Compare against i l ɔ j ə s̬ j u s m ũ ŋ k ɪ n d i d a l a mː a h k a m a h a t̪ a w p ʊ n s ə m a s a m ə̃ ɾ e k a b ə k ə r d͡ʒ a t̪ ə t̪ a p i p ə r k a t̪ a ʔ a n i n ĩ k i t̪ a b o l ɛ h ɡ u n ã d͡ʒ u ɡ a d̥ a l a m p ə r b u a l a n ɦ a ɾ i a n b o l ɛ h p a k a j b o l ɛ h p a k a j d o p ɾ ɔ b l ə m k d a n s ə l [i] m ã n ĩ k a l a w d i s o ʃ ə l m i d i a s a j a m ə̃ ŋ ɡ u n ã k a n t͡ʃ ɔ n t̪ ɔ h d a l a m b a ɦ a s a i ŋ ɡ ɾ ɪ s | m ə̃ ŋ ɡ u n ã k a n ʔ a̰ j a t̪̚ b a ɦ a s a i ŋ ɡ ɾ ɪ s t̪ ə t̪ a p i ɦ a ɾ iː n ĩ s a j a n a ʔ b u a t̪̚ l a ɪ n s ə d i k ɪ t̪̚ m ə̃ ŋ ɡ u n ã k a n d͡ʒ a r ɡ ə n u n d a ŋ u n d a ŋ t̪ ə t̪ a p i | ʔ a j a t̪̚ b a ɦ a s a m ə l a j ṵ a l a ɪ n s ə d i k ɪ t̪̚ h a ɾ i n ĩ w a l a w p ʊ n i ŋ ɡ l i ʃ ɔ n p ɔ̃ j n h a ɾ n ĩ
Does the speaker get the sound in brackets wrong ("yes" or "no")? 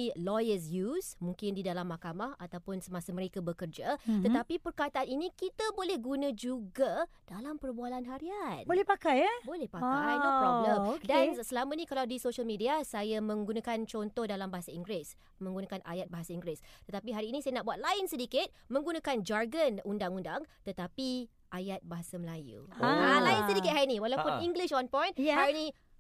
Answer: yes